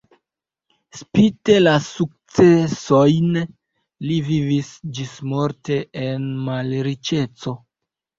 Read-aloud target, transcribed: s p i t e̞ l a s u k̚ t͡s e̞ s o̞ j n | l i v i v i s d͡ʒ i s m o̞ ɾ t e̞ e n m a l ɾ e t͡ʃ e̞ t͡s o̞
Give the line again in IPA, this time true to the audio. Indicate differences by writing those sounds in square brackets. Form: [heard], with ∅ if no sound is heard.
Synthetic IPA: s p i t e̞ l a s u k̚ t͡s e̞ s o̞ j n | l i v i v i s d͡ʒ i s m o̞ ɾ t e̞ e n m a l ɾ [i] t͡ʃ e̞ t͡s o̞